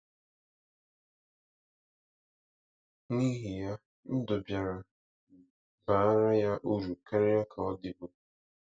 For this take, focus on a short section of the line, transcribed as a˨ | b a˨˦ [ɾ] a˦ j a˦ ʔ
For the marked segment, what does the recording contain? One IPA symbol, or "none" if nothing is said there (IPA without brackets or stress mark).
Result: ɾ